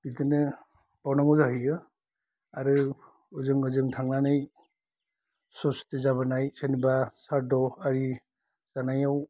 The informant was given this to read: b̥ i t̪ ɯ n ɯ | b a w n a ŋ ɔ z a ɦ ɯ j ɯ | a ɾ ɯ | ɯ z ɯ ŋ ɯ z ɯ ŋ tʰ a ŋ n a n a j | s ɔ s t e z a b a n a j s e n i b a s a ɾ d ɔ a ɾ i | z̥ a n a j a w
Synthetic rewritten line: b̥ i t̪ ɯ n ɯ | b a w n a ŋ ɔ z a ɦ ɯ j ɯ | a ɾ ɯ | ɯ z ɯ ŋ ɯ z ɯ ŋ tʰ a ŋ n a n a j | s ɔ s t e z a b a n a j s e n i b a s a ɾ d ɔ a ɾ i | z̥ a n a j a w